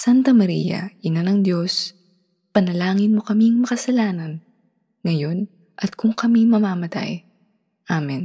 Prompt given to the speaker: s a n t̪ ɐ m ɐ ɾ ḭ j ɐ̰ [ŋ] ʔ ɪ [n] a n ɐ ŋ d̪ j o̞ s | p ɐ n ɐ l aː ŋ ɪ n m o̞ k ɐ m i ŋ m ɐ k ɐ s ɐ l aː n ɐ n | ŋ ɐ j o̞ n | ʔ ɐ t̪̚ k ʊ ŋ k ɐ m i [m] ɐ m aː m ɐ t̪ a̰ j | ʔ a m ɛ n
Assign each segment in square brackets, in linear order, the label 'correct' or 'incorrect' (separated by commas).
incorrect, correct, correct